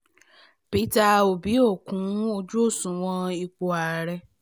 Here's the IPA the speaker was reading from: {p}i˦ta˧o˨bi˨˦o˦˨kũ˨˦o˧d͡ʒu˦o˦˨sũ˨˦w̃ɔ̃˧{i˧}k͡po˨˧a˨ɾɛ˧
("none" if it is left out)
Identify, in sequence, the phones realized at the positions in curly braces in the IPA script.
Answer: p, i˧

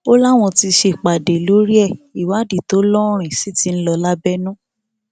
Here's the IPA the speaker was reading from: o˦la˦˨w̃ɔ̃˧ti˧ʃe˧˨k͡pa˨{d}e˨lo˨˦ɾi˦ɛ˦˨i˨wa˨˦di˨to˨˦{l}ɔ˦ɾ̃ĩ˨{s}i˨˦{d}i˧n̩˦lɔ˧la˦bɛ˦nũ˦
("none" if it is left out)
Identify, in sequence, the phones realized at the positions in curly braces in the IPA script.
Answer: d, l, s, t

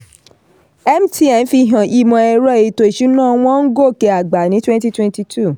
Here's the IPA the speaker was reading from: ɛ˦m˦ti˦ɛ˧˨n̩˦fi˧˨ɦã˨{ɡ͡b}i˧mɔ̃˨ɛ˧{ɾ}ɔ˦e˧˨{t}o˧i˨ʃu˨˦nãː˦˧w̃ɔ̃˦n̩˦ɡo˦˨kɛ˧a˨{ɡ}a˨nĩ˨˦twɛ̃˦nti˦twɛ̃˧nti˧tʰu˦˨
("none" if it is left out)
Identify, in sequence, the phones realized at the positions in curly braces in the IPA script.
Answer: none, ɾ, t, ɡ͡b

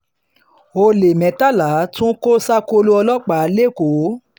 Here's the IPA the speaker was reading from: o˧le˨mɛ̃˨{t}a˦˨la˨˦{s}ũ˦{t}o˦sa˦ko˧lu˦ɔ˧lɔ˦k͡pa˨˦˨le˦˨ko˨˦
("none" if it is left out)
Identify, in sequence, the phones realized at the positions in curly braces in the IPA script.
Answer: t, t, k

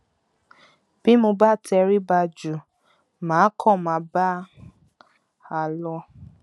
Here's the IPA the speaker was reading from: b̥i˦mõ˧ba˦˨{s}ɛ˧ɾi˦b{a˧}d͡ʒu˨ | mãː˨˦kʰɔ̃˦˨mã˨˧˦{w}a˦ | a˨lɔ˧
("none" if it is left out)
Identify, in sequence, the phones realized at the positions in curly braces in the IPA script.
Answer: t, a˧, b

